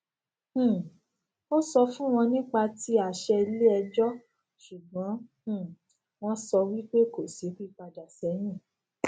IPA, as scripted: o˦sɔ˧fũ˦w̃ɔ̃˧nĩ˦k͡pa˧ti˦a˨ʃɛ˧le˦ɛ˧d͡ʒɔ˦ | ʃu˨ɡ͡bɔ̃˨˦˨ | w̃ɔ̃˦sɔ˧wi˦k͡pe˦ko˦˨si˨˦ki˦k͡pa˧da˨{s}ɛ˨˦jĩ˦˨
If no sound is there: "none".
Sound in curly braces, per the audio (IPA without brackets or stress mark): s